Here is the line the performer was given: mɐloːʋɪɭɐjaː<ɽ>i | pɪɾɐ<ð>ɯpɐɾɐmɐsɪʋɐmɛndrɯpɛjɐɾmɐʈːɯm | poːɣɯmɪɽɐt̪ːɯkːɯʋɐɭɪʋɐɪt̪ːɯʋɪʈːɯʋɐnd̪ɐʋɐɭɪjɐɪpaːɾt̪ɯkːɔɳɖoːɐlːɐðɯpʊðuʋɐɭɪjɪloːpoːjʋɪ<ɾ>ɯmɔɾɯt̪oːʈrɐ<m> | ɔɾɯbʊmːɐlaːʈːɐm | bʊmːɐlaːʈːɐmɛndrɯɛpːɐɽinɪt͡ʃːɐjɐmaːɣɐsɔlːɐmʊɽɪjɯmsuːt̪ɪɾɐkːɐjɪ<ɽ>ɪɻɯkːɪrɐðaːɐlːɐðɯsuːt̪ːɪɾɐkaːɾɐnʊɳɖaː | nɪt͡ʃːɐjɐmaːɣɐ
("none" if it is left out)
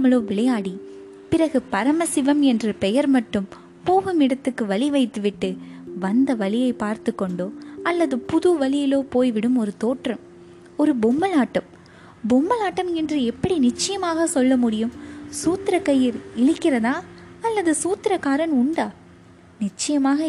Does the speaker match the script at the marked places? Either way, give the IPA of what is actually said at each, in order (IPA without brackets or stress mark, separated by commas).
ɽ, ɣ, ɽ, m, ɾ